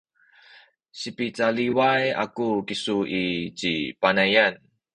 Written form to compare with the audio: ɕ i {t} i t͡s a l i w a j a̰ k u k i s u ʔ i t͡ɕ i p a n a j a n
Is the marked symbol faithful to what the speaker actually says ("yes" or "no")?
no